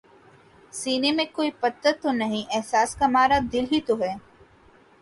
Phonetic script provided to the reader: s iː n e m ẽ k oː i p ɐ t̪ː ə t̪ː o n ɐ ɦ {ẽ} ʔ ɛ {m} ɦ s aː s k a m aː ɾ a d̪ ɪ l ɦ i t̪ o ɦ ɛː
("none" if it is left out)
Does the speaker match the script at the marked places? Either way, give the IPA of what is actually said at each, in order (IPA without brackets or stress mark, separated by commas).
ĩ, none